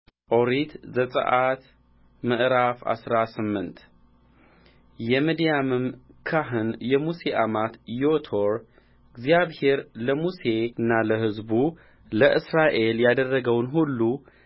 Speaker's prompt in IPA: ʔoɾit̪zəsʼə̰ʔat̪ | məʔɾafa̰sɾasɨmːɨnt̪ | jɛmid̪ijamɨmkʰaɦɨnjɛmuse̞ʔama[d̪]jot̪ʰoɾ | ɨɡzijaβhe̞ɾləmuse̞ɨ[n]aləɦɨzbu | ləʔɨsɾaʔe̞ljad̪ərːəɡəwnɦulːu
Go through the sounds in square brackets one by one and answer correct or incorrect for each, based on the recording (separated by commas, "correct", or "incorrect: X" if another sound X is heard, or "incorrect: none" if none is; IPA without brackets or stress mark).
incorrect: t̪, incorrect: nː